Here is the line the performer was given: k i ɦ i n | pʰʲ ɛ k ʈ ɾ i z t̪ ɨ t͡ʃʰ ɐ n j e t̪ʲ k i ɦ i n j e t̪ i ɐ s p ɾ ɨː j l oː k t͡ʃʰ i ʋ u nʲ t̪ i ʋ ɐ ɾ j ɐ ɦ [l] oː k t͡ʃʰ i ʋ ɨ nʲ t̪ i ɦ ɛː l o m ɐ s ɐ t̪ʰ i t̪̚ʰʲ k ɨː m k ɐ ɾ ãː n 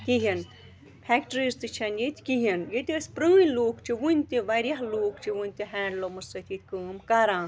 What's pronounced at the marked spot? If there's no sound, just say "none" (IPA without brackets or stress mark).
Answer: l